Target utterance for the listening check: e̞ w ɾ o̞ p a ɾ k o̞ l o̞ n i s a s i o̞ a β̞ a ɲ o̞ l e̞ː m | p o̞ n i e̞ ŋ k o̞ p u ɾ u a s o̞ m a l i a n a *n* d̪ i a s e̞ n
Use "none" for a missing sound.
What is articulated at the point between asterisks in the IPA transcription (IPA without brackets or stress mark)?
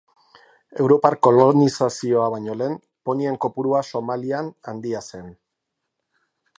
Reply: n